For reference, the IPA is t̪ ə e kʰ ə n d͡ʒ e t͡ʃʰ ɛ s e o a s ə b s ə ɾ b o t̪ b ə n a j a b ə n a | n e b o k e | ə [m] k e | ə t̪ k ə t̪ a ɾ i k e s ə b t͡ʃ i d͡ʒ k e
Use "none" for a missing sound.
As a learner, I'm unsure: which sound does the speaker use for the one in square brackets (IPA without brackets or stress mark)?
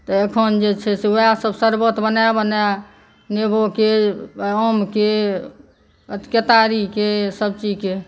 m